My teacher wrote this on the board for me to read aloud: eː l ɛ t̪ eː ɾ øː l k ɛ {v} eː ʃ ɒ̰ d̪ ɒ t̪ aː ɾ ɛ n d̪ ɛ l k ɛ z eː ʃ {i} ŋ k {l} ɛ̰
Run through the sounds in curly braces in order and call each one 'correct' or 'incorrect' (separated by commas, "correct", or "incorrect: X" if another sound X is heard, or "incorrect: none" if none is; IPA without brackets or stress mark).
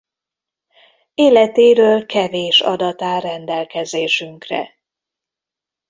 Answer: correct, incorrect: y, incorrect: r